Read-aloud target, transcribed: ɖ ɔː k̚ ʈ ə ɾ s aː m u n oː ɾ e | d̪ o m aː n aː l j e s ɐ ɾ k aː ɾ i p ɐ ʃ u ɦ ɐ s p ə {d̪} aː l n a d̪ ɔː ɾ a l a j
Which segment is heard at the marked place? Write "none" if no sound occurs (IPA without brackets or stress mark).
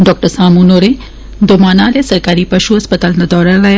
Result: t̪